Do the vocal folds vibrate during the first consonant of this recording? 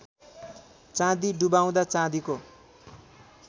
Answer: no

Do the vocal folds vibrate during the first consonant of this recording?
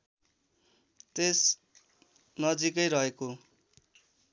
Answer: no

